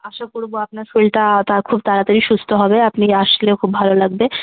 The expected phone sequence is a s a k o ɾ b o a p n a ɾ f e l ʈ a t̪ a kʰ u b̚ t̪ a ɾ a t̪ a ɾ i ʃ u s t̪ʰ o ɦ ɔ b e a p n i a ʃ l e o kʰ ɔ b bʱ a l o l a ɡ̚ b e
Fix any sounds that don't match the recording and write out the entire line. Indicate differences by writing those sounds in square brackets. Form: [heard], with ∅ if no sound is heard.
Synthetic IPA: a [ʃ] a k o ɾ b o a p n a ɾ f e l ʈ a t̪ a kʰ u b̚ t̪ a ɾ a t̪ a ɾ i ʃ u s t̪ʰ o ɦ ɔ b e a p n i a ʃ l e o kʰ [u] b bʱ a l o l a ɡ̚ b e